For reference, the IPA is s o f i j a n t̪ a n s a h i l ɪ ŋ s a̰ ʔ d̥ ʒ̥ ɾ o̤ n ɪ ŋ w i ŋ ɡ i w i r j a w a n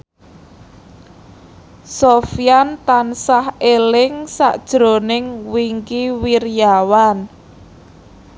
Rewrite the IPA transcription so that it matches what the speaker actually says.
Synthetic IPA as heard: s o f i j a n t̪ a n s a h e l ɪ ŋ s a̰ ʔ d̥ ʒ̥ ɾ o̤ n ɪ ŋ w i ŋ k i w i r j a w a n